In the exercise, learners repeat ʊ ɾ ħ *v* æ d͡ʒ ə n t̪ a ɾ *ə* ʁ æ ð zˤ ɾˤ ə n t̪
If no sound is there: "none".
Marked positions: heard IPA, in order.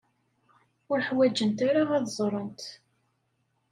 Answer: w, a

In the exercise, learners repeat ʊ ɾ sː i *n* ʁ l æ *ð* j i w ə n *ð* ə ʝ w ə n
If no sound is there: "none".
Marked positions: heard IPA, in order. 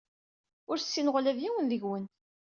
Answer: n, v, ð

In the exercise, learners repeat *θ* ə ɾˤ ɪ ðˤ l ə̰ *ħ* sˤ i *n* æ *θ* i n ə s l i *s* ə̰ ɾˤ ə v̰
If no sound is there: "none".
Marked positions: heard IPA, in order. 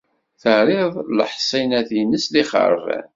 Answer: θ, ħ, n, θ, χ

